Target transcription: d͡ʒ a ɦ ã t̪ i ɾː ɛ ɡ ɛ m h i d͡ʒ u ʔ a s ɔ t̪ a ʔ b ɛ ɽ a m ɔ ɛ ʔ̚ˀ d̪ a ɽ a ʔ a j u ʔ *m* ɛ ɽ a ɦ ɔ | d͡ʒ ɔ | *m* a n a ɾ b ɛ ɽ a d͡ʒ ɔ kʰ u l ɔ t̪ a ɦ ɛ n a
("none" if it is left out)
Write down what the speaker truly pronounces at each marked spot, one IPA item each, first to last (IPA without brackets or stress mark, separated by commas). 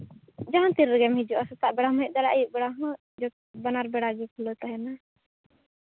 b, b